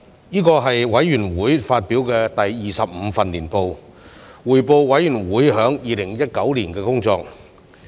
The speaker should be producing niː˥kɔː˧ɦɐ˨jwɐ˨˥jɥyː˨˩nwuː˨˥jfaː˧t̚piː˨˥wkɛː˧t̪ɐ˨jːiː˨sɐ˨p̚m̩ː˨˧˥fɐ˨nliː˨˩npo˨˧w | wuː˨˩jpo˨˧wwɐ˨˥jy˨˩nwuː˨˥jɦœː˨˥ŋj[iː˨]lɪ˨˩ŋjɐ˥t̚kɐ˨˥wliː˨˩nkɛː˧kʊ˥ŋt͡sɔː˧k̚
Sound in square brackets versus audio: correct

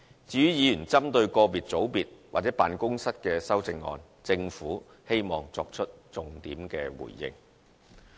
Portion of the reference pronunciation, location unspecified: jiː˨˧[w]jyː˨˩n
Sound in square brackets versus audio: incorrect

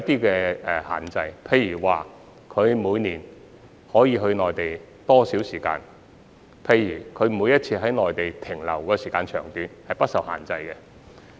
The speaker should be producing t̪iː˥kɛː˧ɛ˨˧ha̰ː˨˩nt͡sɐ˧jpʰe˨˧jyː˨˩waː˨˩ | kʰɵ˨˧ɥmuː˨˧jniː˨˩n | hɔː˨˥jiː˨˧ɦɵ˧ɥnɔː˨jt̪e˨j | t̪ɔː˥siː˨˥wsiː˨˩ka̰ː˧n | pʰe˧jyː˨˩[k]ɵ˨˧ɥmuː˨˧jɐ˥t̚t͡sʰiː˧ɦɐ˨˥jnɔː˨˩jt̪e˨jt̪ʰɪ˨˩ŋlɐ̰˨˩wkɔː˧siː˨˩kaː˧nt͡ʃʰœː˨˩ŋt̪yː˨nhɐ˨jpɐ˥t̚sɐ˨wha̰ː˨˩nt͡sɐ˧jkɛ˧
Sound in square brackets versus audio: incorrect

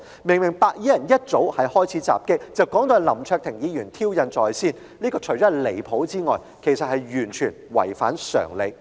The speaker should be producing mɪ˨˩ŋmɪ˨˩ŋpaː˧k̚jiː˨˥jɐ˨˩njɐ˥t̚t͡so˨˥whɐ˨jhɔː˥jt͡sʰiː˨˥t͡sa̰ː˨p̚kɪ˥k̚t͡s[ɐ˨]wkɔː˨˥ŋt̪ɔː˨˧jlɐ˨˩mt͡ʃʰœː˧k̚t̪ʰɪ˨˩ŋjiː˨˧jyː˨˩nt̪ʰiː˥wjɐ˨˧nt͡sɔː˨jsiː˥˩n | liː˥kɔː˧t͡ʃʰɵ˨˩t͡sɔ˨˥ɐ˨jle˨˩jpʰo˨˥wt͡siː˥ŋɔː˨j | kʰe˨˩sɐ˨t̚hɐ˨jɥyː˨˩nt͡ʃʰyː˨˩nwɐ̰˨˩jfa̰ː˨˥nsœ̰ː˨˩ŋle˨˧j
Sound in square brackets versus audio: correct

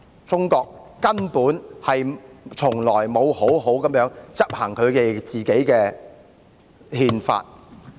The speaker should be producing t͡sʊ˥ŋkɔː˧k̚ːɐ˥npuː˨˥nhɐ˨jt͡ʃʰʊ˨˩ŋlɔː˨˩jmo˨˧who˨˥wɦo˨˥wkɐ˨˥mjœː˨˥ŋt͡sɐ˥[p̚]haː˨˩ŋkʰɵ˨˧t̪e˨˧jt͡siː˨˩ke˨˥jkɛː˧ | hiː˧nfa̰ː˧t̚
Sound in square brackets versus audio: correct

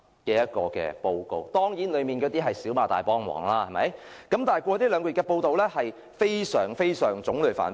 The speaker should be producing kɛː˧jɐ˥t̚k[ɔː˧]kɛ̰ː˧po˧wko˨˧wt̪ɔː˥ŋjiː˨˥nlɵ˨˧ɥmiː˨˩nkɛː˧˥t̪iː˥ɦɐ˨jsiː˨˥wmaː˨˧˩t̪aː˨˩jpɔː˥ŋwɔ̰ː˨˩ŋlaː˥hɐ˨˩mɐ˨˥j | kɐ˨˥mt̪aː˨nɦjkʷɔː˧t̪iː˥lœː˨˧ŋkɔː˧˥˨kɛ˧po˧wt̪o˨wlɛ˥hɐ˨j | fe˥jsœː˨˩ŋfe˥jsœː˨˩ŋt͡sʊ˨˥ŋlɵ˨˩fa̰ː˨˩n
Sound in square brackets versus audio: correct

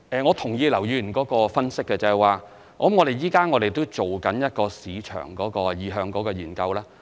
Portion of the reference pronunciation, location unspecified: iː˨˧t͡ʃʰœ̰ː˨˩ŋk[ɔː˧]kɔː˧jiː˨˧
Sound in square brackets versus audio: incorrect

